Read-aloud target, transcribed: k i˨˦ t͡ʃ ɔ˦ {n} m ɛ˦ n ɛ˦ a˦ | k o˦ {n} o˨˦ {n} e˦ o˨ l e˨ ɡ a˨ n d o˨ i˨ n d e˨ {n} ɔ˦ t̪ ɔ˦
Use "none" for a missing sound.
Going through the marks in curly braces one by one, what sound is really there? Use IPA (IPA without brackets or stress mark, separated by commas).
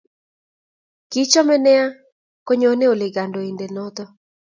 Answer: none, ɲ, n, n